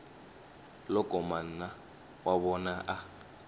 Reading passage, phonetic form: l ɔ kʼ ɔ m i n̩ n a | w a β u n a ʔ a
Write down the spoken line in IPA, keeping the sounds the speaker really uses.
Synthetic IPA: l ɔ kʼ ɔ m a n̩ n a | w a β ɔ n a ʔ a